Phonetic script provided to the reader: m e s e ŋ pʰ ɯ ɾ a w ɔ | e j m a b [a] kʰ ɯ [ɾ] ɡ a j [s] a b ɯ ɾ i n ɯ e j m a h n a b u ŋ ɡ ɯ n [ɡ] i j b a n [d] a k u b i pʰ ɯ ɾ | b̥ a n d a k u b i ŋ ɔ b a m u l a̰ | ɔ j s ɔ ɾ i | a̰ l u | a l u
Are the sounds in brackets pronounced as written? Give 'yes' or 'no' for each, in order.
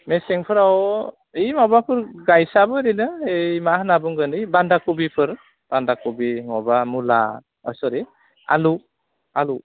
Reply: yes, yes, yes, no, yes

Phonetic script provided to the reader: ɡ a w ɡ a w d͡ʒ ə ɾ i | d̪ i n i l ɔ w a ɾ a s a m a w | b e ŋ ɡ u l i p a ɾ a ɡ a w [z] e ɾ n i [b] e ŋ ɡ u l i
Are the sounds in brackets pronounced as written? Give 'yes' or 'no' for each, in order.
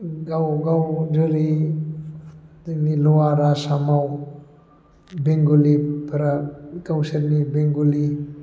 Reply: no, yes

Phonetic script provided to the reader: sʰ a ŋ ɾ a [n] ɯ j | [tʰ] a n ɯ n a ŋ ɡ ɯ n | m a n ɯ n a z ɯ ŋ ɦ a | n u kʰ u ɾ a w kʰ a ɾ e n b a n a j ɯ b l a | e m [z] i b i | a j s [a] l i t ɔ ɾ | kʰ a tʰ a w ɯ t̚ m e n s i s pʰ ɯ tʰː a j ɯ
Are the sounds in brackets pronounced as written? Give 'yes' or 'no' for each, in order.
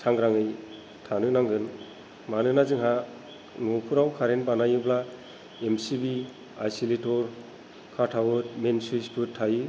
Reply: no, yes, no, no

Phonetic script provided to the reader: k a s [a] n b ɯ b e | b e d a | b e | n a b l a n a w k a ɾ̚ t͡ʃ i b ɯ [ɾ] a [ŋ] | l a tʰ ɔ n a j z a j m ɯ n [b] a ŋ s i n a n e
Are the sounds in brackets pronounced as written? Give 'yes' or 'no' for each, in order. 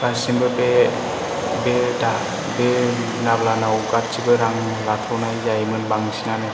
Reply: no, yes, yes, yes

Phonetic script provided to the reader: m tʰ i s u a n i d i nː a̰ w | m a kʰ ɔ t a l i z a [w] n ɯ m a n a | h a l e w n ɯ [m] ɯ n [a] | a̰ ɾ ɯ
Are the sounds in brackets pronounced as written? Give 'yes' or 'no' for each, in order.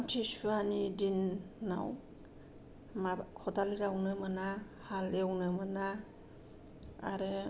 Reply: yes, yes, yes

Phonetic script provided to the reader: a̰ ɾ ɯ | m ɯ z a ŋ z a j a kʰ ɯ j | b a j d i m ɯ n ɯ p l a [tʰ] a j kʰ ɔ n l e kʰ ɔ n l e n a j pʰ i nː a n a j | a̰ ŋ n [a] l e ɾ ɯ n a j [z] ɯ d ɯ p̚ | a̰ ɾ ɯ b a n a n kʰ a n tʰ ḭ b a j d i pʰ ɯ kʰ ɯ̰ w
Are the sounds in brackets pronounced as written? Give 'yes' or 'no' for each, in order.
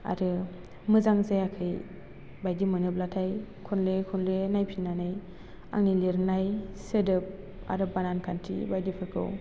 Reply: yes, no, no

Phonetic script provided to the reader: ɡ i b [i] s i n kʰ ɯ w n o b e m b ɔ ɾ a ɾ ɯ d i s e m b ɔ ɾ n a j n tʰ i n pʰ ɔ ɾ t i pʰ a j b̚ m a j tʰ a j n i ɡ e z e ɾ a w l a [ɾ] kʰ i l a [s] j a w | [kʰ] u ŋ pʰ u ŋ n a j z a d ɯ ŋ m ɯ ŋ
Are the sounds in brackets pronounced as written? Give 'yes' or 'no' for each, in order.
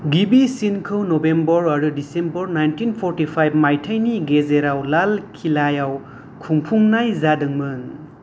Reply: yes, no, no, yes

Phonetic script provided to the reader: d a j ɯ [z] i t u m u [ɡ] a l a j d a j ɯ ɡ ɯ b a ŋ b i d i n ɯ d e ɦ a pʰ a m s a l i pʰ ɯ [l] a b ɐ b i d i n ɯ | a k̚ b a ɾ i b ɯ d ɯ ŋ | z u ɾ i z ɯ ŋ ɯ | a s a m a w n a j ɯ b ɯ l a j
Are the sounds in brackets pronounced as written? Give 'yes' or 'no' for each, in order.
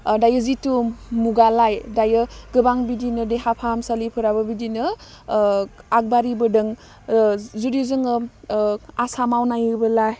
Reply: yes, yes, no

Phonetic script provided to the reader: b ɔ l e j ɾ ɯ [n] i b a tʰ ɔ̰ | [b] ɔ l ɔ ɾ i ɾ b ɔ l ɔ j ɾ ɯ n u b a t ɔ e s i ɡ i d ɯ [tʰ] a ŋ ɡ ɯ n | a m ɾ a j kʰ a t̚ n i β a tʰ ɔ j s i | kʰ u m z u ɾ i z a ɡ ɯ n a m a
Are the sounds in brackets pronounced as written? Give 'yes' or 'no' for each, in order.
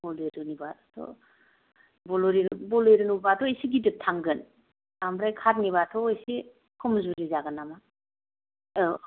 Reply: yes, yes, yes

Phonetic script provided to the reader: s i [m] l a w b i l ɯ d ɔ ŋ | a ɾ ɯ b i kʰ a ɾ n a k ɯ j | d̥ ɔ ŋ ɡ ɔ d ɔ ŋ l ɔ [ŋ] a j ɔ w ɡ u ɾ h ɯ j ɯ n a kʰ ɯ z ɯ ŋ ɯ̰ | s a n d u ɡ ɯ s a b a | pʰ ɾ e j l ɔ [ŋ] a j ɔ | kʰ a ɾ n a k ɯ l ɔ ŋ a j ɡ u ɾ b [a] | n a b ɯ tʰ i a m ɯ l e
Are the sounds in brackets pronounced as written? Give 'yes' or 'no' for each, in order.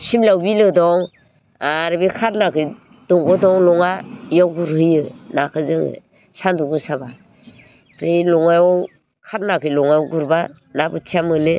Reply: yes, yes, yes, yes

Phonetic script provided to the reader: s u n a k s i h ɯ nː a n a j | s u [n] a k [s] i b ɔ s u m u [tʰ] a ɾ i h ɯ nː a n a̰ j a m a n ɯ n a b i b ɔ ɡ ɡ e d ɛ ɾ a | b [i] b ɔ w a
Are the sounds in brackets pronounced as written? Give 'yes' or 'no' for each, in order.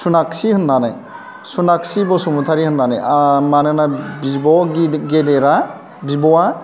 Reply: yes, yes, yes, yes

